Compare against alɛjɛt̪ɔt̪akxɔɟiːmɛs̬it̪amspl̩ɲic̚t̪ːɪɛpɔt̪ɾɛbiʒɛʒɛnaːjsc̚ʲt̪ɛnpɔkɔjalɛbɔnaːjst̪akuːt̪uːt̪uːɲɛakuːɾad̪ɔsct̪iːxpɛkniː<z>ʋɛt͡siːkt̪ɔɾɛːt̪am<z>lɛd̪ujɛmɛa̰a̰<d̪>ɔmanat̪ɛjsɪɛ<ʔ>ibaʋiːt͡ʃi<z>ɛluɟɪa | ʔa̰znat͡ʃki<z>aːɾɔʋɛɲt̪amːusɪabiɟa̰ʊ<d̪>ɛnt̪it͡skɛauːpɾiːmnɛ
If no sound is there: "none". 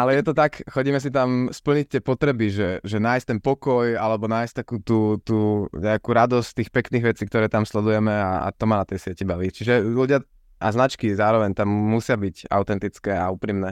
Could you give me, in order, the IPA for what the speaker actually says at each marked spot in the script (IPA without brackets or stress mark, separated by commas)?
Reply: ɣ, s, t̪, c, ʒ, z, t̪